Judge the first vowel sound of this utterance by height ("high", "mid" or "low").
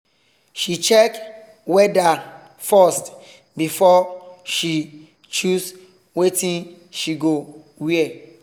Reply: high